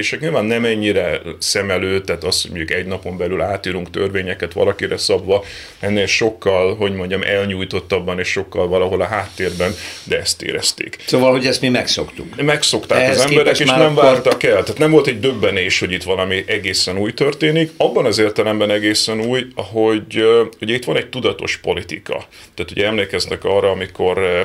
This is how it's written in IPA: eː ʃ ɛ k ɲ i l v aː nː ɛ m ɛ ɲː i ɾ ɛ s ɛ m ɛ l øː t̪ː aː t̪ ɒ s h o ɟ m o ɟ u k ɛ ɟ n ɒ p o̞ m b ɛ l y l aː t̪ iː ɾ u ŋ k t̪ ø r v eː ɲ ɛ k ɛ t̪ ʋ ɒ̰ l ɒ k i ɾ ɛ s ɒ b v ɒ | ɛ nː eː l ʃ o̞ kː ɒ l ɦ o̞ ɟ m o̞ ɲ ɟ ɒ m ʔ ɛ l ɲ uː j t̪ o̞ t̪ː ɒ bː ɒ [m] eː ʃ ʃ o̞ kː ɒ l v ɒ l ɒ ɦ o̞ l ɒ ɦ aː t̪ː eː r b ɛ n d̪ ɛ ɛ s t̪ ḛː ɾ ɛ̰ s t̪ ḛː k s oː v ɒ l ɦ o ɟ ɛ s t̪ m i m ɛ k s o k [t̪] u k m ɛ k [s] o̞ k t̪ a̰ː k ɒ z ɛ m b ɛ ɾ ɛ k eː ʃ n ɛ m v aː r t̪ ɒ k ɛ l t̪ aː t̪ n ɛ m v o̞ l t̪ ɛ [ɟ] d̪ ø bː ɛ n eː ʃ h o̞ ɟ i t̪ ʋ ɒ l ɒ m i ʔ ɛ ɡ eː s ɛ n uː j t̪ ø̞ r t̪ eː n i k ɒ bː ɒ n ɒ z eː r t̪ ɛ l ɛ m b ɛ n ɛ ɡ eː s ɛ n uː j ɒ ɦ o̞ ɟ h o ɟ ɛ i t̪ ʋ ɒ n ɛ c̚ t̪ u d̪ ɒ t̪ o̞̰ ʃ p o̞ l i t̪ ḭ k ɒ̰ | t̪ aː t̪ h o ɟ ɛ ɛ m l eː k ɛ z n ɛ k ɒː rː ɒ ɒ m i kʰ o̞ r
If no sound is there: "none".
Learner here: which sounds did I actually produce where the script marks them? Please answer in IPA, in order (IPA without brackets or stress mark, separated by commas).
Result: n, t̪, s, ɟ